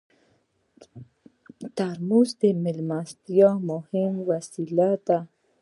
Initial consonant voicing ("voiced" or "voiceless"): voiceless